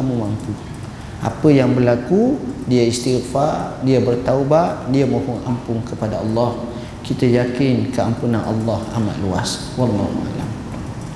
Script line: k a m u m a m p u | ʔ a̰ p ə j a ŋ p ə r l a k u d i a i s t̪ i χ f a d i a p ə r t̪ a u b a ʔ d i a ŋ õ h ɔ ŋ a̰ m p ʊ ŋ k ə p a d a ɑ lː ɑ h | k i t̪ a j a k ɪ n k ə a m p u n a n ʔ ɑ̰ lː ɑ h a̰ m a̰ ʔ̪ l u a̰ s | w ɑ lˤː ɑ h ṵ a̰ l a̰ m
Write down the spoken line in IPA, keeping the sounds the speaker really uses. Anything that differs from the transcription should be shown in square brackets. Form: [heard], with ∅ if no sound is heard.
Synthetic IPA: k a m u m a m p u | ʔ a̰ p ə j a ŋ [b] ə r l a k u d i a i s t̪ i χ f a d i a [b] ə r t̪ a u b a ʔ d i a [m] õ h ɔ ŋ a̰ m p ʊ ŋ k ə p a d a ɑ lː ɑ h | k i t̪ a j a k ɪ n k ə a m p u n a n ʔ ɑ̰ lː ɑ h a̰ m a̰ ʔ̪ l u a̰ s | w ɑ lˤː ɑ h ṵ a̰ l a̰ m